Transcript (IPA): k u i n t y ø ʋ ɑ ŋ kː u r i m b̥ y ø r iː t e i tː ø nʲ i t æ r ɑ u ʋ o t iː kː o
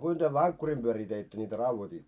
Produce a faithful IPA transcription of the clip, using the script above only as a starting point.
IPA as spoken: k u i n t y ø ʋ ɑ ŋ kː u r i m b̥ y ø r iː t e i tː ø nʲ i t æ r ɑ u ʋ o t iː tː o